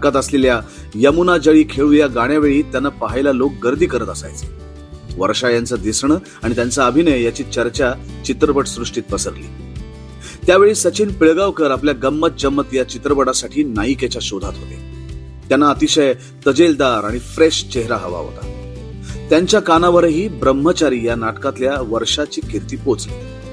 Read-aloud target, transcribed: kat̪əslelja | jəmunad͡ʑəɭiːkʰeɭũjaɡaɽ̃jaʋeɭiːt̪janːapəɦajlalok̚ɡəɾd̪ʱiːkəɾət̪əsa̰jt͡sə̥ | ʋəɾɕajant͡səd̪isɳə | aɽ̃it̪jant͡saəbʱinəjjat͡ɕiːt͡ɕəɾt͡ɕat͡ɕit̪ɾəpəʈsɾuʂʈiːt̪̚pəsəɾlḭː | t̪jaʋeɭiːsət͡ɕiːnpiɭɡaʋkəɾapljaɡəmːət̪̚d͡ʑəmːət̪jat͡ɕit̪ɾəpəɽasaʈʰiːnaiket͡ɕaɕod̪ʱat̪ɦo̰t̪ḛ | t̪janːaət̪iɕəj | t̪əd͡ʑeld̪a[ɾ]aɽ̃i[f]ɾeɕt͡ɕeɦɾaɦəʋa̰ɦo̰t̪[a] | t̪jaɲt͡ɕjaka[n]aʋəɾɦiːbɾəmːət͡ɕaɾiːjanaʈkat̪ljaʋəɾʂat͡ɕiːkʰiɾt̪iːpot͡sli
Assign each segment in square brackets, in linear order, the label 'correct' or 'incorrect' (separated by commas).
correct, correct, correct, correct